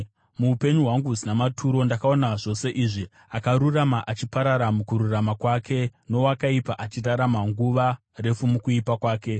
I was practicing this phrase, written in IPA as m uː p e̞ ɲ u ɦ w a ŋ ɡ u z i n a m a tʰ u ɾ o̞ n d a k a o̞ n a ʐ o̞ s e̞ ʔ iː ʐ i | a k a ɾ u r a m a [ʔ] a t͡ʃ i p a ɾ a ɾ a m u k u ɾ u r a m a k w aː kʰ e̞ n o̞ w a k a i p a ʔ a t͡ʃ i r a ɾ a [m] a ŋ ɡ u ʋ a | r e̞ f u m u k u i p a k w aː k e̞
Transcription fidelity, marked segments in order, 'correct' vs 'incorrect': correct, correct

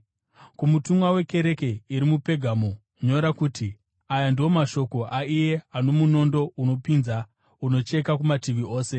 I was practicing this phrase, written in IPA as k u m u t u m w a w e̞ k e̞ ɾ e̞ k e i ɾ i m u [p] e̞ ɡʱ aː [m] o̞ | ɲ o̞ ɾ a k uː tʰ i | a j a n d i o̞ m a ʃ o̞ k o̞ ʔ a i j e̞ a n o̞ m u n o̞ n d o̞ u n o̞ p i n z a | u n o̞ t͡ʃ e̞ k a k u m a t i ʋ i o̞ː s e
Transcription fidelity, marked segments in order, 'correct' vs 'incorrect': correct, correct

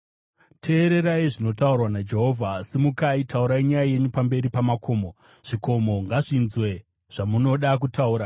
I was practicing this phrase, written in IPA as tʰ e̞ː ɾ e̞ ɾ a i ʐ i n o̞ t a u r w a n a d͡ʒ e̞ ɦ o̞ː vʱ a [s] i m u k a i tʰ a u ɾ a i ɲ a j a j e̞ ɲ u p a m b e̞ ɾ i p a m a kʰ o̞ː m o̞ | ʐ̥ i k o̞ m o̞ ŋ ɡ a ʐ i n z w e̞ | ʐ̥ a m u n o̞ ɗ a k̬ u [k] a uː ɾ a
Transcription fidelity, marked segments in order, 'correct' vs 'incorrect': correct, incorrect: t

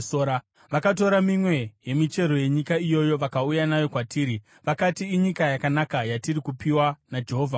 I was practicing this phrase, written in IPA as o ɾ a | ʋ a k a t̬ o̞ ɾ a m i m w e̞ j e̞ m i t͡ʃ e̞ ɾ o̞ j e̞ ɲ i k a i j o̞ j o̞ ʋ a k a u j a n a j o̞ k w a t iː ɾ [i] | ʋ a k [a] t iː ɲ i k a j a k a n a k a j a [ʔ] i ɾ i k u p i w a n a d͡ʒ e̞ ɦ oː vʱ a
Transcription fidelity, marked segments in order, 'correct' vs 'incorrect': correct, correct, incorrect: t

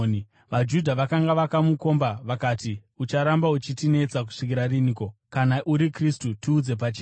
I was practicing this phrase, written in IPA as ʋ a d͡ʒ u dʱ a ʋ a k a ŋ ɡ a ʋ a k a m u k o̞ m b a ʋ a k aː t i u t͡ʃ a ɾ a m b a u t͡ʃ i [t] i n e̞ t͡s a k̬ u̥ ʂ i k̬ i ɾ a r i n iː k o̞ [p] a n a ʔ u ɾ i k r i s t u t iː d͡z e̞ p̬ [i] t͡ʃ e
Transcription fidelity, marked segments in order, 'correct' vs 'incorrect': correct, incorrect: k, incorrect: a

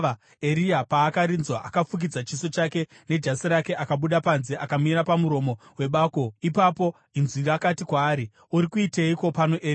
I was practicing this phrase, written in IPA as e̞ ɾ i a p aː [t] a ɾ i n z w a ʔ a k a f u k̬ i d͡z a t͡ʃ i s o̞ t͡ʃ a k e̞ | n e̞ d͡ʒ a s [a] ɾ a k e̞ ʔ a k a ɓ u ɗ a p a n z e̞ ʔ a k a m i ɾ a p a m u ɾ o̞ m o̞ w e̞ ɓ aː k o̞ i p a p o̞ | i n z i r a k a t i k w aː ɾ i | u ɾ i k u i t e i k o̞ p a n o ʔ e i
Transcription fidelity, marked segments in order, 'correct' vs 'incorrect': incorrect: k, incorrect: i

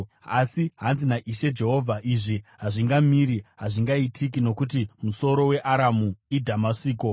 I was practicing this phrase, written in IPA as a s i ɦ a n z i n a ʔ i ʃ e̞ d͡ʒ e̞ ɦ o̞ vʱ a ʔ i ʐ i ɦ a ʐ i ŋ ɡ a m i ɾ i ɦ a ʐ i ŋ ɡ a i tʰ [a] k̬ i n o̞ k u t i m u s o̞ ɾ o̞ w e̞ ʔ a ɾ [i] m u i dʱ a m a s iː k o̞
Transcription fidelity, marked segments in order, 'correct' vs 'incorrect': incorrect: i, incorrect: a

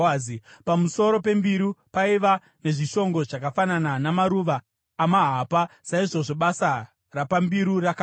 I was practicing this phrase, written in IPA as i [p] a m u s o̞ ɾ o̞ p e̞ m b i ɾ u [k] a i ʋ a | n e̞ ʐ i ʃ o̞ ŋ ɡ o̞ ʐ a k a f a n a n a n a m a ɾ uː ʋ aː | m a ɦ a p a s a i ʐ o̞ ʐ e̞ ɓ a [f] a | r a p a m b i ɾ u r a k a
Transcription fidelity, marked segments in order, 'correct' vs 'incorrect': correct, incorrect: p, incorrect: s

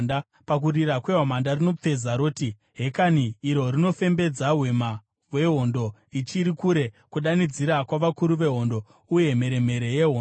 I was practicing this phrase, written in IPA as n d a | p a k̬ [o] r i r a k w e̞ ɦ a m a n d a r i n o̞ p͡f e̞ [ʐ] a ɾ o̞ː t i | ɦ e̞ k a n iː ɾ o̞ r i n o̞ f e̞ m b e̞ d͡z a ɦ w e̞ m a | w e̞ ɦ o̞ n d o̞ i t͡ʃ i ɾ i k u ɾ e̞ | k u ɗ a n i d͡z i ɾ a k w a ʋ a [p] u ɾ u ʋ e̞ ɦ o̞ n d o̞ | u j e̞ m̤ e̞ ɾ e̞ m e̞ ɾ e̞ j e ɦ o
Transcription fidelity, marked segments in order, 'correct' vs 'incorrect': incorrect: u, incorrect: z, incorrect: k

